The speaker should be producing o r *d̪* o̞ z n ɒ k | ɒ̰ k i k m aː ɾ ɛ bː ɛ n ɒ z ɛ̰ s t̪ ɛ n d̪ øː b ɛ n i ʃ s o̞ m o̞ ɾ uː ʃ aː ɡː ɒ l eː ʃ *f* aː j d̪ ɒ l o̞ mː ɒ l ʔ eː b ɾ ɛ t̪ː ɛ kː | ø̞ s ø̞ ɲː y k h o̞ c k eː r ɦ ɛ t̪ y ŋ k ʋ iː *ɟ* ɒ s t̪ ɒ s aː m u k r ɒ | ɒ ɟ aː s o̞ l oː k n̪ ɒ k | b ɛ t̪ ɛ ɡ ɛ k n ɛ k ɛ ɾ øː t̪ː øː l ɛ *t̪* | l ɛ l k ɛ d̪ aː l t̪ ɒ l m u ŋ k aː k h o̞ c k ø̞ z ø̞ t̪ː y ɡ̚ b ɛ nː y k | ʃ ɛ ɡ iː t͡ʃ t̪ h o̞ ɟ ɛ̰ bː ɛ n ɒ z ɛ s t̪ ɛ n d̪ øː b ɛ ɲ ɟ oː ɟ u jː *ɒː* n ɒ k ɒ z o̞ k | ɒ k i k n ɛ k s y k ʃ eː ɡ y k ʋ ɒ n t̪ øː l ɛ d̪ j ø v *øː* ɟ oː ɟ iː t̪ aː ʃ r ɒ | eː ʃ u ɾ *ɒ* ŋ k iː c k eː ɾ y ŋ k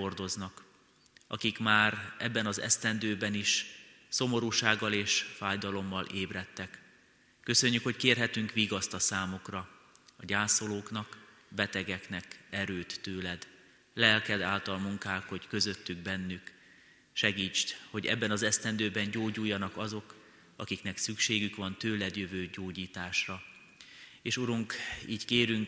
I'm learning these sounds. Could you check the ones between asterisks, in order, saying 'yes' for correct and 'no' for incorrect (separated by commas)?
yes, yes, no, no, no, yes, no